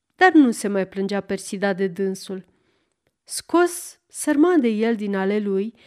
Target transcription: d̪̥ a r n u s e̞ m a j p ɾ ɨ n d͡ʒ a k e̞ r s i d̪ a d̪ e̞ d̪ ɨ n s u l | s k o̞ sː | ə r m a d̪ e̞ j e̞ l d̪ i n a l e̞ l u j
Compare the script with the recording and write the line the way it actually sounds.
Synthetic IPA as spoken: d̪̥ a r n u s e̞ m a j p l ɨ n d͡ʒ a p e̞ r s i d̪ a d̪ e̞ d̪ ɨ n s u l | s k o̞ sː | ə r m a d̪ e̞ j e̞ l d̪ i n a l e̞ l u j